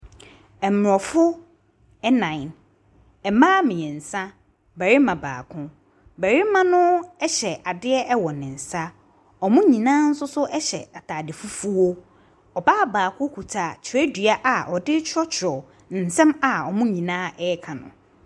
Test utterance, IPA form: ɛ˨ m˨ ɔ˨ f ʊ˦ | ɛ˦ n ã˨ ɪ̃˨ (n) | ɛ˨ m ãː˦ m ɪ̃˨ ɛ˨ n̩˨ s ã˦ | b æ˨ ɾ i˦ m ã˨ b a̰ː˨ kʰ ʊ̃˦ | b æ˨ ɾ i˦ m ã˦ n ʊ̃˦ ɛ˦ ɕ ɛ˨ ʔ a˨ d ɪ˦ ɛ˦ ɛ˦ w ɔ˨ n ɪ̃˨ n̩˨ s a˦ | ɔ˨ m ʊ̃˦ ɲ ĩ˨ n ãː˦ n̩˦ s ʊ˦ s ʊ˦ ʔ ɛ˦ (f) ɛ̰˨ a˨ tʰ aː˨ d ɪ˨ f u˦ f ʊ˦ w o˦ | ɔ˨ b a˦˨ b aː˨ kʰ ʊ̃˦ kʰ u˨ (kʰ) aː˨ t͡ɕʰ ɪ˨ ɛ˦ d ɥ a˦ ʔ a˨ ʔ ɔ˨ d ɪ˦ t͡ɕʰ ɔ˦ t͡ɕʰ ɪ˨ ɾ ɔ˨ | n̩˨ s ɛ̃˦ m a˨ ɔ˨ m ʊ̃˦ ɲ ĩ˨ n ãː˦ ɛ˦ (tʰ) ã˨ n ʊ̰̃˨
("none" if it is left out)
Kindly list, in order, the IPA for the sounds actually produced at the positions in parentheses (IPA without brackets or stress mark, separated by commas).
n, ɕ, tʰ, kʰ